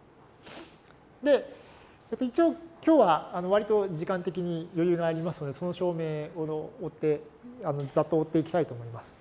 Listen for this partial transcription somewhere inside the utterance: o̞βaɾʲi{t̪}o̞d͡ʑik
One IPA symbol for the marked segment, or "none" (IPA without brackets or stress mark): t̪